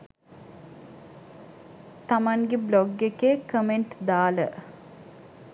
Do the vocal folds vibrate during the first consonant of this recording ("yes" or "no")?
no